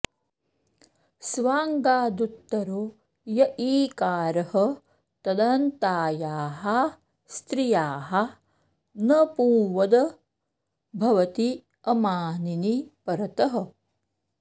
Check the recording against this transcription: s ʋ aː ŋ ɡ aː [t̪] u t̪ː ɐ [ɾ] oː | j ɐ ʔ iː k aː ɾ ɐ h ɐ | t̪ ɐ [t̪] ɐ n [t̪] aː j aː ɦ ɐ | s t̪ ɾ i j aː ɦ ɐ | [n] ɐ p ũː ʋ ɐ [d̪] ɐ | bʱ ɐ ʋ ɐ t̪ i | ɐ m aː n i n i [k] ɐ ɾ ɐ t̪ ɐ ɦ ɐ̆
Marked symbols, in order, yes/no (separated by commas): no, yes, no, yes, yes, yes, no